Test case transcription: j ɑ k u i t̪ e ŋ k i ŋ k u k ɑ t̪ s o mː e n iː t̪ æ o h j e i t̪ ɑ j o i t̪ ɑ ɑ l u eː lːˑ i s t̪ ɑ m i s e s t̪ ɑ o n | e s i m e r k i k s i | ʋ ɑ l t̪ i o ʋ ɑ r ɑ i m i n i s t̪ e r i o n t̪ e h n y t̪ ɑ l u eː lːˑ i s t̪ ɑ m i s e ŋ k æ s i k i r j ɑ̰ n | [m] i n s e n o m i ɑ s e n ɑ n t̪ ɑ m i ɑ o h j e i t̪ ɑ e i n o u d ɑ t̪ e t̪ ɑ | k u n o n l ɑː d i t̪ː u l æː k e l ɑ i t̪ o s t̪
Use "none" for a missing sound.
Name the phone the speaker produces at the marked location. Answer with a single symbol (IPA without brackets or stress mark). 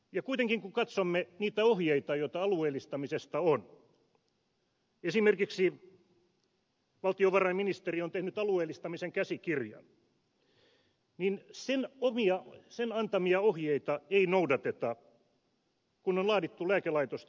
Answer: n